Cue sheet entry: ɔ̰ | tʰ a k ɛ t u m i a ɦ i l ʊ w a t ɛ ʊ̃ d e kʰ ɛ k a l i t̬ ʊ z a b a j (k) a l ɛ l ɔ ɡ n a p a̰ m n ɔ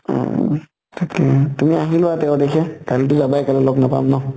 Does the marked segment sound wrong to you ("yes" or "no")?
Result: no